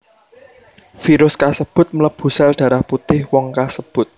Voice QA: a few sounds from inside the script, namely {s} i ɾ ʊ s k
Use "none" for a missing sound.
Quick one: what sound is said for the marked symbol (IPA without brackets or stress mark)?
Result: f